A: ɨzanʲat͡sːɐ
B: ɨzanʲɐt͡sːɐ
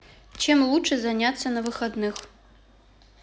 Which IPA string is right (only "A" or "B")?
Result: A